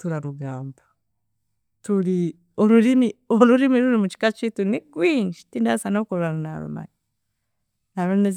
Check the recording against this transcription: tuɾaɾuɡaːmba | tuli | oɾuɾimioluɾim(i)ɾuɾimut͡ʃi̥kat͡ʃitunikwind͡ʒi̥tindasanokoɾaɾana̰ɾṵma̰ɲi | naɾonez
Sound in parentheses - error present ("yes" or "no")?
no